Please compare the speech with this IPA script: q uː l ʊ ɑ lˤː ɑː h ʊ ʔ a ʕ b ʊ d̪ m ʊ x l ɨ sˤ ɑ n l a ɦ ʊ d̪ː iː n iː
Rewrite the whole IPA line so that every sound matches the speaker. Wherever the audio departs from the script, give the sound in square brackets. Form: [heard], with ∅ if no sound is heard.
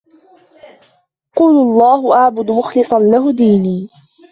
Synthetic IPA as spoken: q uː l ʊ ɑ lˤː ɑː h ʊ ʔ a ʕ b ʊ d̪ m ʊ x l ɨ sˤ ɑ n l a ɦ ʊ [d̪] iː n iː